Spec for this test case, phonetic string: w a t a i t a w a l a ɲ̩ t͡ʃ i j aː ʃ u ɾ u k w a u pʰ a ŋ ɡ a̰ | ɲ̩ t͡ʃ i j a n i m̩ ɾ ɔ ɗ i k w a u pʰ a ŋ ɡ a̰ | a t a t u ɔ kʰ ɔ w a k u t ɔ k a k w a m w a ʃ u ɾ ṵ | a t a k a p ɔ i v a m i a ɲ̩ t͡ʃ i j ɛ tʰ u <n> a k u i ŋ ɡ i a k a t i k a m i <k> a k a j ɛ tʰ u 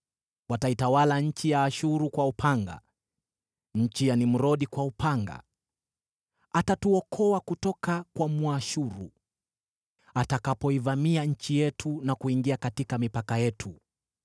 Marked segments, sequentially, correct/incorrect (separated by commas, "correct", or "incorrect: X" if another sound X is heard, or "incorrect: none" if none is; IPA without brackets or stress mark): correct, incorrect: p